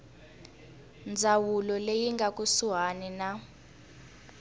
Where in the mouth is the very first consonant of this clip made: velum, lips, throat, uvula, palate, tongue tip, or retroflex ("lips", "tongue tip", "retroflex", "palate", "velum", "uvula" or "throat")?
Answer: tongue tip